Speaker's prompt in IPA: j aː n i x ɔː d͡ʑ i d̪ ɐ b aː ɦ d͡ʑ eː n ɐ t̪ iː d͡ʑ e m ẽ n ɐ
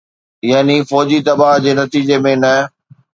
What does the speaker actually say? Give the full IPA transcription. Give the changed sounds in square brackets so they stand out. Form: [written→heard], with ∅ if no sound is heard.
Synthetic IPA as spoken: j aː n i [x→f] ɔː d͡ʑ i [d̪→t̪] ɐ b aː ɦ d͡ʑ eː n ɐ t̪ iː d͡ʑ e m ẽ n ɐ